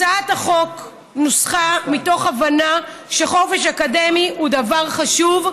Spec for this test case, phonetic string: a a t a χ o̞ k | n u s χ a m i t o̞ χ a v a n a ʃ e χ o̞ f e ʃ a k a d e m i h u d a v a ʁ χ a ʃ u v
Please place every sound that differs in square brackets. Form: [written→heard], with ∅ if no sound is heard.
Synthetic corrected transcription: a a t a χ o̞ k | n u s χ a m i t o̞ χ a v a n a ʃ e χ o̞ f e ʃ a k a d e m i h u d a v a ʁ χ a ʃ u v